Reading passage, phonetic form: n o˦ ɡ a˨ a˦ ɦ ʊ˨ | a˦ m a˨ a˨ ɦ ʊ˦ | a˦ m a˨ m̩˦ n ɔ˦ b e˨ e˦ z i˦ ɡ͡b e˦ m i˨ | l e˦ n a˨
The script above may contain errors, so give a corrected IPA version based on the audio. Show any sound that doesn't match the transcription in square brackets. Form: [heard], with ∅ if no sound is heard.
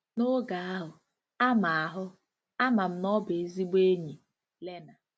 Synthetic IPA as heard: n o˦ ɡ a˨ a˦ ɦ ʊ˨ | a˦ m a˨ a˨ ɦ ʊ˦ | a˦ m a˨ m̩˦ n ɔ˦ b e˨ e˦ z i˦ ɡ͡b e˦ [ɲ] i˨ | l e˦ n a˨

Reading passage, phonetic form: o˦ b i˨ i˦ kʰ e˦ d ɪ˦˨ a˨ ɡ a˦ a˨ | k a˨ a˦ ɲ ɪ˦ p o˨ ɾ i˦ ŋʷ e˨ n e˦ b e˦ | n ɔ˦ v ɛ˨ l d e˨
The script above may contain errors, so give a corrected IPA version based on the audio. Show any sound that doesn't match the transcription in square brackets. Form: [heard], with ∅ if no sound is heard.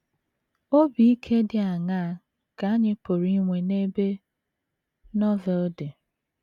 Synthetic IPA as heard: o˦ b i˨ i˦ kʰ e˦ d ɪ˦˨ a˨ [ŋ] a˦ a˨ | k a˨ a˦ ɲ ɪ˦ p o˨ ɾ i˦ ŋʷ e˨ n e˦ b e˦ | n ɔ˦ v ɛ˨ l d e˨

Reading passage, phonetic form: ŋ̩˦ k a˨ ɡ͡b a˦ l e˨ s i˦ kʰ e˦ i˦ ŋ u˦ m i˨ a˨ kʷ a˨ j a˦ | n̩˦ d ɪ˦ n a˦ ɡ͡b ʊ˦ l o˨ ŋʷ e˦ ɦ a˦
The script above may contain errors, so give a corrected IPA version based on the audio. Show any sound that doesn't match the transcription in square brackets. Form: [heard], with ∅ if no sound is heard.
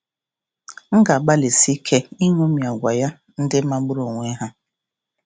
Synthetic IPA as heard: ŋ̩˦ [ɡ] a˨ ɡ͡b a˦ l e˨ s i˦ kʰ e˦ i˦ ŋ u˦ m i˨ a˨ [ɡʷ] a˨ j a˦ | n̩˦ d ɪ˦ [m] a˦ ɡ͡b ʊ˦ [ɾ] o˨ ŋʷ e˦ ɦ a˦

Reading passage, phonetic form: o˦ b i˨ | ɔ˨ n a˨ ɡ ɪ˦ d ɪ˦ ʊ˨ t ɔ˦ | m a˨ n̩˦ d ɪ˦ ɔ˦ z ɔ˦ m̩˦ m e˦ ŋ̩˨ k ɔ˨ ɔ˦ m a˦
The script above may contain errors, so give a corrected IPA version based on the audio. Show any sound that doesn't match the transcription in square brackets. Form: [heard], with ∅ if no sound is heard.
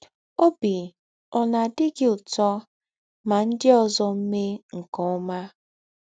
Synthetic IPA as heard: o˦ b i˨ | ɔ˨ n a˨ [d] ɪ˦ [ɡ] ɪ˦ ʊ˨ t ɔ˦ | m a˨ n̩˦ d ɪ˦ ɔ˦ z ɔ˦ m̩˦ m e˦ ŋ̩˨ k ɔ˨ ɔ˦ m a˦

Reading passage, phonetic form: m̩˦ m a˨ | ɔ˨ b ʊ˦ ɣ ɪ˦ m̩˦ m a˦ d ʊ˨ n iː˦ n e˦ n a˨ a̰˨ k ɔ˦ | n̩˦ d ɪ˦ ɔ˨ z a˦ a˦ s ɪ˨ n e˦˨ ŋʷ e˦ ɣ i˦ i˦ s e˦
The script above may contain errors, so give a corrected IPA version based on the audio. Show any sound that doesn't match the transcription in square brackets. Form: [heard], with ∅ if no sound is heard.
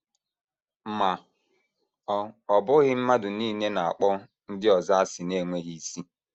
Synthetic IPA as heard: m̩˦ m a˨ | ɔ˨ b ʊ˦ ɣ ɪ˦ m̩˦ m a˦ d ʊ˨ n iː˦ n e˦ n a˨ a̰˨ [k͡p] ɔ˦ | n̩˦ d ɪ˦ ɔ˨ z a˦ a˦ s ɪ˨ n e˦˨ ŋʷ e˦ ɣ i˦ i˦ s [i˦]

